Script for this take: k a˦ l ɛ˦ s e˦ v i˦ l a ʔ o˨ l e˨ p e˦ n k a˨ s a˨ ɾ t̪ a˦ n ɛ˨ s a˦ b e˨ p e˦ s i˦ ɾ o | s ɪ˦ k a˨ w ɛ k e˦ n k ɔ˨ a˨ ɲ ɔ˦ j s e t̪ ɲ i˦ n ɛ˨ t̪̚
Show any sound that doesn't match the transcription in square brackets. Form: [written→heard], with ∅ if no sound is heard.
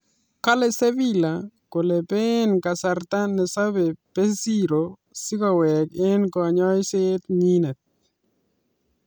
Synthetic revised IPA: k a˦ l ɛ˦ s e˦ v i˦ l a [ʔ→k] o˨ l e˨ p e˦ n k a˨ s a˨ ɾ t̪ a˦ n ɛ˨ s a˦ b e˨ p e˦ s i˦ ɾ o | s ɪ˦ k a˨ w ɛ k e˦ n k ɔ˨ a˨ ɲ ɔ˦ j s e t̪ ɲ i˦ n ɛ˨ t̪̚